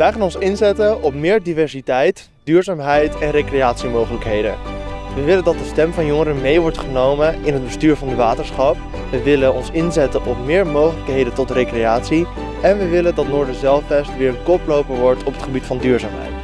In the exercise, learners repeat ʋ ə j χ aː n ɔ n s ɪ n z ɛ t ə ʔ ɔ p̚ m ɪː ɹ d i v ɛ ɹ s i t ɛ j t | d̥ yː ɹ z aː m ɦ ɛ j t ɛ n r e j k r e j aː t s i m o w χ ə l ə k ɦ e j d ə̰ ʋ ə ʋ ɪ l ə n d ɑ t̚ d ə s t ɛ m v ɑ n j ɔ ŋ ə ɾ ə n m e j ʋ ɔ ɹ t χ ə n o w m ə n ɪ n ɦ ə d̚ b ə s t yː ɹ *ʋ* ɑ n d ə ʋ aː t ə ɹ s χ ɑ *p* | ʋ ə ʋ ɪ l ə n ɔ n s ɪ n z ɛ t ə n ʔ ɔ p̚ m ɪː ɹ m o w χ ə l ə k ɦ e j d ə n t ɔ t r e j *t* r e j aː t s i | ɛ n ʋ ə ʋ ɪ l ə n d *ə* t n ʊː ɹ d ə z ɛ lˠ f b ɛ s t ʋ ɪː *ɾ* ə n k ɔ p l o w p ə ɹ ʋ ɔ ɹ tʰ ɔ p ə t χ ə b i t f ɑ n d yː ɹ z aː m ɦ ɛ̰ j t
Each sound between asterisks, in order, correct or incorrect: incorrect, correct, incorrect, incorrect, incorrect

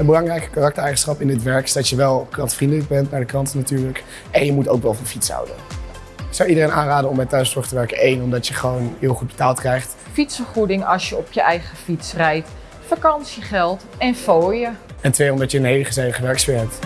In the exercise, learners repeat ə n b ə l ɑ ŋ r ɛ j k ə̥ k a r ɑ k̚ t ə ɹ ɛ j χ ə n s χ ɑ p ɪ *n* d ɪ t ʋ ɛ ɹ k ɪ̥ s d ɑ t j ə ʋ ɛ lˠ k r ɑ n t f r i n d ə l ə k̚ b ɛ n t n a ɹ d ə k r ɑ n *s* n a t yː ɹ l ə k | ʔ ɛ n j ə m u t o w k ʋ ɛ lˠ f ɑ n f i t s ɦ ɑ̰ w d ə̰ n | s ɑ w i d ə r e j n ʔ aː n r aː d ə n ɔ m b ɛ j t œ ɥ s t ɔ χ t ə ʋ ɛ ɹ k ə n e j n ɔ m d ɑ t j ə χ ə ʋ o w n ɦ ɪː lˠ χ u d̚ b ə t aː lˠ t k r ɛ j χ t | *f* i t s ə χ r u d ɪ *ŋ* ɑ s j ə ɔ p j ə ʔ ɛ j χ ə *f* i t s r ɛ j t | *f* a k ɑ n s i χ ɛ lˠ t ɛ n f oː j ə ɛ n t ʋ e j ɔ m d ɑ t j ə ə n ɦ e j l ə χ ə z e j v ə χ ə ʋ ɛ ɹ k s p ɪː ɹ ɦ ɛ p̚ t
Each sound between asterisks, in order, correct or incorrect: correct, incorrect, correct, correct, correct, correct

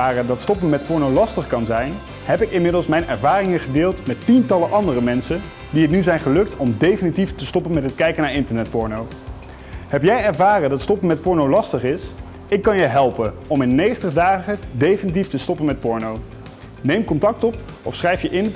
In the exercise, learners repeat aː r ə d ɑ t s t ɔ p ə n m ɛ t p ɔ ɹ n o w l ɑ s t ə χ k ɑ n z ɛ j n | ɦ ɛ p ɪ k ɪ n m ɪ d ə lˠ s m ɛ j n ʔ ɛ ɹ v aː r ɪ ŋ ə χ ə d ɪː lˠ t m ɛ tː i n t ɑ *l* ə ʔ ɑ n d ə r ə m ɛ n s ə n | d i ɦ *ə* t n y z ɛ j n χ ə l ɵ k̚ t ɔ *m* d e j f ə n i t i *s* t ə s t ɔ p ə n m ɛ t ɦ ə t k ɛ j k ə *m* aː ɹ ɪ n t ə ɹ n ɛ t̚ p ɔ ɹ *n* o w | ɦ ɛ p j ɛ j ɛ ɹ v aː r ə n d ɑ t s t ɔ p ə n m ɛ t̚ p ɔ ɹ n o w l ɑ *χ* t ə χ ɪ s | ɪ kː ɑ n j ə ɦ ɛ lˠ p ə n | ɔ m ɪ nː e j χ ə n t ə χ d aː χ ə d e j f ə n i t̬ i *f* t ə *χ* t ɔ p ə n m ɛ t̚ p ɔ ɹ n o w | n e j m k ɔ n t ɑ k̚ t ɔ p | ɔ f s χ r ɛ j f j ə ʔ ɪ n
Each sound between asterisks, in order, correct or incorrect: correct, correct, correct, incorrect, incorrect, correct, incorrect, correct, incorrect

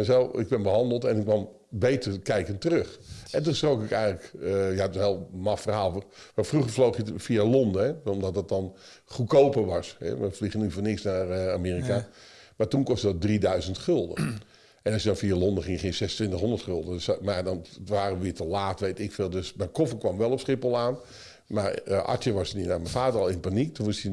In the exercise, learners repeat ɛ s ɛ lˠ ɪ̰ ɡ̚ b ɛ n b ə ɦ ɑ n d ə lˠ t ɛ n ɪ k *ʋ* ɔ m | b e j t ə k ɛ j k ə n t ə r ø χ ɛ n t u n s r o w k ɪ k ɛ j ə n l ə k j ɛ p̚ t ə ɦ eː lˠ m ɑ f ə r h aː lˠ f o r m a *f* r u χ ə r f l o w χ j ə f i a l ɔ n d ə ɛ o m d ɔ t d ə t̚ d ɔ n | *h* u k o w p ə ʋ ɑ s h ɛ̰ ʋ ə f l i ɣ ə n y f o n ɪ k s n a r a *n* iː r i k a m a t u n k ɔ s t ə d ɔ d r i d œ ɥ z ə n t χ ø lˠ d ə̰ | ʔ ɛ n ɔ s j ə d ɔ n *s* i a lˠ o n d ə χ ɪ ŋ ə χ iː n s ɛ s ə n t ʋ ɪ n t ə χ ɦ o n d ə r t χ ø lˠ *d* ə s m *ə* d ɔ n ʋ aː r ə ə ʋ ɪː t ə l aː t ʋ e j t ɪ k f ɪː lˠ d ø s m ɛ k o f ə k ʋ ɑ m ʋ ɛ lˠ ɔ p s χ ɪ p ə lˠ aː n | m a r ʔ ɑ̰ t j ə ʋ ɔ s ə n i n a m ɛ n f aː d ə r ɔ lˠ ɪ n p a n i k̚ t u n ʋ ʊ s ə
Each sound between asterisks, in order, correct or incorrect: correct, correct, incorrect, incorrect, incorrect, correct, incorrect

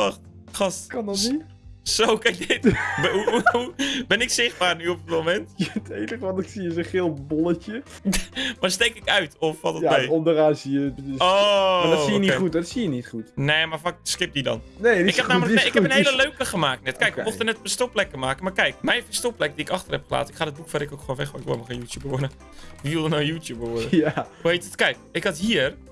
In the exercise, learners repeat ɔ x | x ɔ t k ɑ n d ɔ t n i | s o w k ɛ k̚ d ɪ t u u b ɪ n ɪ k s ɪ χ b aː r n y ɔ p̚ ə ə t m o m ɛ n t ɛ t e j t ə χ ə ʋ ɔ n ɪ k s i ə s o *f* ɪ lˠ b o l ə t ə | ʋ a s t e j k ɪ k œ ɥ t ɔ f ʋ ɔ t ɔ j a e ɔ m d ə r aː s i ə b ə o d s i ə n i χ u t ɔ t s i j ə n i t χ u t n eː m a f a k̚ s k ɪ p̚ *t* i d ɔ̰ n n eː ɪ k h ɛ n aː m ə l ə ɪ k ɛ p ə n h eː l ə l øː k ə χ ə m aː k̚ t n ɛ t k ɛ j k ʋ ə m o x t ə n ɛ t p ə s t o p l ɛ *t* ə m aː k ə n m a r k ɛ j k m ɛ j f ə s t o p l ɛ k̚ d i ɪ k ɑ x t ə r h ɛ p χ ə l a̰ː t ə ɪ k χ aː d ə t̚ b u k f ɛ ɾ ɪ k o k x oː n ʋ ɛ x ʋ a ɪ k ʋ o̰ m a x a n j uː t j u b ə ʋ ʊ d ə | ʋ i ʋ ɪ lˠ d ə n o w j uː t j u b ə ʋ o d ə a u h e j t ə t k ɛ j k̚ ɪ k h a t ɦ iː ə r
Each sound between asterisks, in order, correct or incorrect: incorrect, incorrect, incorrect

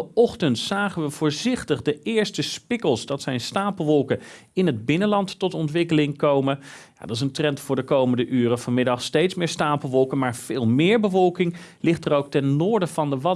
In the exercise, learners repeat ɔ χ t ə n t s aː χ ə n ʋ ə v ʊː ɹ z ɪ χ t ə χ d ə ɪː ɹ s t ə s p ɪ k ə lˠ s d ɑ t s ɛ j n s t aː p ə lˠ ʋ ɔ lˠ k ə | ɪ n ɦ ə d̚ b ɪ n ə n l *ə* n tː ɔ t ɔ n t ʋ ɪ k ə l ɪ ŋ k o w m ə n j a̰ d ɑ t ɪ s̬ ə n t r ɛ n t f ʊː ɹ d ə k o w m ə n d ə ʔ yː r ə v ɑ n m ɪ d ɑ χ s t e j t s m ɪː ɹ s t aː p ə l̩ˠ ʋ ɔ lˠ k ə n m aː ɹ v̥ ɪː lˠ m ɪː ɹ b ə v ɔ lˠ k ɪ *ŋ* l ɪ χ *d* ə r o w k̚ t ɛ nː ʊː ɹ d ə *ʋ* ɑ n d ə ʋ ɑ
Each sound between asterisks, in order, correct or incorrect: incorrect, correct, incorrect, incorrect

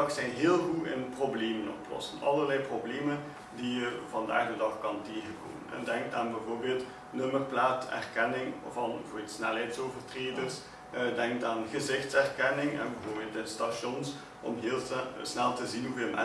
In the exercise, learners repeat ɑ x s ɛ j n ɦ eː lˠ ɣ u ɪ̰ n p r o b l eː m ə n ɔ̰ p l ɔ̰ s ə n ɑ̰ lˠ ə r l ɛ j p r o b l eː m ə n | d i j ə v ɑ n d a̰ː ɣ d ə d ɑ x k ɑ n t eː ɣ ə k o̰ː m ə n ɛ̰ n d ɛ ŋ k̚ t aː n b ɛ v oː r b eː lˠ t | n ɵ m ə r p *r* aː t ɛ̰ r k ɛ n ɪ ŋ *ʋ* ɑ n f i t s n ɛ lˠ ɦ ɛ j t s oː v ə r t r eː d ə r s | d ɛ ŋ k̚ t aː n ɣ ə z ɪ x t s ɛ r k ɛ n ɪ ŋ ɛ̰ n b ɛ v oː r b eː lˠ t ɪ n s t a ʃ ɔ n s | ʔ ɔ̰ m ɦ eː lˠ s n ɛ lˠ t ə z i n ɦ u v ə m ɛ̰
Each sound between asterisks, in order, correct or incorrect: incorrect, incorrect

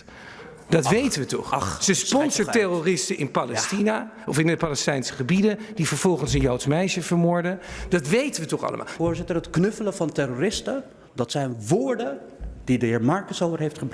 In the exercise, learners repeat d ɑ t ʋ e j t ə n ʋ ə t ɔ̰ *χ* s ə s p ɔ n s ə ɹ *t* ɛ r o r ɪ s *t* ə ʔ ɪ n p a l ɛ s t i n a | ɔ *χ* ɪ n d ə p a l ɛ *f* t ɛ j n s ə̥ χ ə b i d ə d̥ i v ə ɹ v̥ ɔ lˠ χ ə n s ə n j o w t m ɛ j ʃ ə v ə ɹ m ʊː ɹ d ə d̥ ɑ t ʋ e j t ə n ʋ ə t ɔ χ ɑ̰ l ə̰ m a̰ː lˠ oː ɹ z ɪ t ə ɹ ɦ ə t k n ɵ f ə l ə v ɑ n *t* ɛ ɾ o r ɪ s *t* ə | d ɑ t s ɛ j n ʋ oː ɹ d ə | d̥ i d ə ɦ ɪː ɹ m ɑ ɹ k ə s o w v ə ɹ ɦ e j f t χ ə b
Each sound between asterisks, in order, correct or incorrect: correct, correct, correct, incorrect, incorrect, correct, correct

